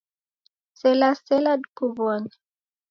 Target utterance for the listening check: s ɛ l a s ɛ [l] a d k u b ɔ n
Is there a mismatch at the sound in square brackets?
no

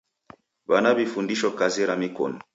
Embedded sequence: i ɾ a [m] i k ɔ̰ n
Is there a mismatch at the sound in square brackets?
no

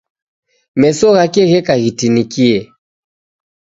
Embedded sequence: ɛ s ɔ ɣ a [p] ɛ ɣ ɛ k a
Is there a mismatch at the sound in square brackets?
yes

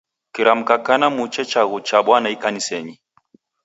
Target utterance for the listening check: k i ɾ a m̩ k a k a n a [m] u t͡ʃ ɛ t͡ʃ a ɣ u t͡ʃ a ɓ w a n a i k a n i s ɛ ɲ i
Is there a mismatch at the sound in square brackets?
no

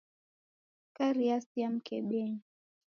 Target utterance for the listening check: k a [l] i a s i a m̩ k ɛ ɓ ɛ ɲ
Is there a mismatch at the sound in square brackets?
yes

